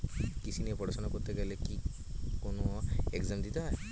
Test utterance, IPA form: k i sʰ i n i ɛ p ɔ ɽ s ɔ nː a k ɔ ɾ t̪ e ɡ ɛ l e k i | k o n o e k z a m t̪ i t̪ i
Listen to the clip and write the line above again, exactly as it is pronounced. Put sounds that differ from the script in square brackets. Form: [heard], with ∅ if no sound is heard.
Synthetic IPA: k i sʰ i n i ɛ p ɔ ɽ s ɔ [n] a k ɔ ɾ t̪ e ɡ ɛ l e k i | k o n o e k z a m [d̪] i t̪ [a]

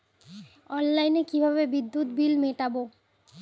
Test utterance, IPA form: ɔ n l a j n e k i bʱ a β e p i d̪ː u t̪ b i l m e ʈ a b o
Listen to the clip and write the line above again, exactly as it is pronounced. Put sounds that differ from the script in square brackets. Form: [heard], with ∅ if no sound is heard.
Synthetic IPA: ɔ n l a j n e k i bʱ a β e [b] i d̪ː u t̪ b i l m e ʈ a b o

